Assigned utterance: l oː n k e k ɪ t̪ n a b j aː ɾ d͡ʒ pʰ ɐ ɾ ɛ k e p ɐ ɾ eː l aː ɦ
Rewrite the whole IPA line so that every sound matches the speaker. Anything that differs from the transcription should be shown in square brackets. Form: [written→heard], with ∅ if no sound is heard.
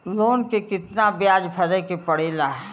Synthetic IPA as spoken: l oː n k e k ɪ t̪ n a b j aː [ɾ→∅] d͡ʒ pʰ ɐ ɾ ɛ k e p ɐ [ɾ→ɽ] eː l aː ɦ